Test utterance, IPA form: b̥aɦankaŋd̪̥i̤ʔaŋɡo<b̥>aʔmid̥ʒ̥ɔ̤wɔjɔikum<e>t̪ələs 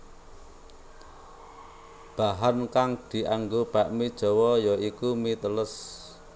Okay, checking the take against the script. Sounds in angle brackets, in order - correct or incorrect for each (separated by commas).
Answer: correct, incorrect